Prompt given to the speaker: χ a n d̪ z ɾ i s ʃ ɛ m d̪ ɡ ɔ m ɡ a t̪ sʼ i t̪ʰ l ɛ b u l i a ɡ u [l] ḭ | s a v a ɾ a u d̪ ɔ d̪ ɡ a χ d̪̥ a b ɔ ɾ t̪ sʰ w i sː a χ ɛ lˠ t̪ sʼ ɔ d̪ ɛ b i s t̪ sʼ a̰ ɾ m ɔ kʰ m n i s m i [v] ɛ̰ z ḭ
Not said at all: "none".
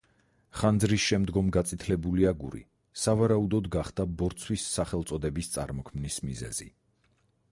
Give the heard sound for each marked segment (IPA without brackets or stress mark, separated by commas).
ɾ, z